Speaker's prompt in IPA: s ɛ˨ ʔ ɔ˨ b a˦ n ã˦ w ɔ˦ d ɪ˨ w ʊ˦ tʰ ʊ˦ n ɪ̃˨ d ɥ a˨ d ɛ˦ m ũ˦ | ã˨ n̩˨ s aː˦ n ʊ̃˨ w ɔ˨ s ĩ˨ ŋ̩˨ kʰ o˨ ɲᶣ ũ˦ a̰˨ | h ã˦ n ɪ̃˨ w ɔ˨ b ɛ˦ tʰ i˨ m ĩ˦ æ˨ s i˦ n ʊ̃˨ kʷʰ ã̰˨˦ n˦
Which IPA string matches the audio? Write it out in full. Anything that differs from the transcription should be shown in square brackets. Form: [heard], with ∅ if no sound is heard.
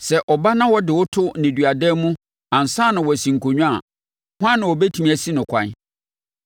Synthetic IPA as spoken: s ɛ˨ ʔ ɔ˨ b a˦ n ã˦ w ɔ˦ d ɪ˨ w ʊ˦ tʰ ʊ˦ n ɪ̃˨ d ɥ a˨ d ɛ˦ m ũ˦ | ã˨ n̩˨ s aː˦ n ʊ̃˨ w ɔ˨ s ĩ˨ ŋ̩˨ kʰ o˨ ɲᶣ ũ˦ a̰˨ | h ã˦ n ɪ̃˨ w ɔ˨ b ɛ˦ tʰ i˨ m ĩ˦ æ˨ s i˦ n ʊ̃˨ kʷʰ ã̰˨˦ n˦